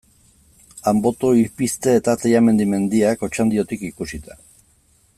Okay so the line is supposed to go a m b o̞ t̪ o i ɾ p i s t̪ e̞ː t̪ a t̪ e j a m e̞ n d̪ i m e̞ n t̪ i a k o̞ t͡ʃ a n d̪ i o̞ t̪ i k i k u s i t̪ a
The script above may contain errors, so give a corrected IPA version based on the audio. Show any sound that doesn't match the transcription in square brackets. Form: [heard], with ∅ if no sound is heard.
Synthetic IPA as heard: a m b o̞ t̪ o i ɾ p i s t̪ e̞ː t̪ a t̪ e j a m e̞ n d̪ i m e̞ n [d̪] i a k o̞ t͡ʃ a n d̪ i o̞ t̪ i k i k u s i t̪ a